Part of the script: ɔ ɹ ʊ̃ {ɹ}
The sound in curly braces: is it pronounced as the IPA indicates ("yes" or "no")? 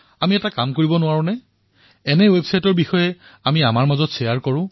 no